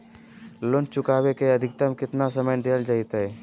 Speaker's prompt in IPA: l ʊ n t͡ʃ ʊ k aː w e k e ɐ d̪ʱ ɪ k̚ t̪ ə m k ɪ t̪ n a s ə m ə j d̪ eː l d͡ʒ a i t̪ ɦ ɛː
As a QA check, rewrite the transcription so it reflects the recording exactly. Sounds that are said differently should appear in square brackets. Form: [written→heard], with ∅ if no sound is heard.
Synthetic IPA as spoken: l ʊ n t͡ʃ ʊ k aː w e k e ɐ d̪ʱ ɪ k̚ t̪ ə m k ɪ t̪ n a s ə m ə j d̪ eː l d͡ʒ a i t̪ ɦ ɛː